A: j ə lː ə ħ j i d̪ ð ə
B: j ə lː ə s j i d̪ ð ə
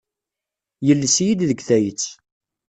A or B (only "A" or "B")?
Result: B